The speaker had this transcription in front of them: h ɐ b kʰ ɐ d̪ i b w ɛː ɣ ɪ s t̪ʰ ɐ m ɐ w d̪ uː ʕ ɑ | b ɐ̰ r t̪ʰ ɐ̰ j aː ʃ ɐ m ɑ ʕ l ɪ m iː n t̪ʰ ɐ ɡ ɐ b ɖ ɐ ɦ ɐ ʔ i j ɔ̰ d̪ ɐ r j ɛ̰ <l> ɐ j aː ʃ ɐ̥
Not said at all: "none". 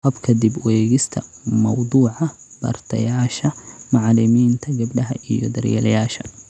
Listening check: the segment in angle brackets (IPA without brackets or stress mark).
l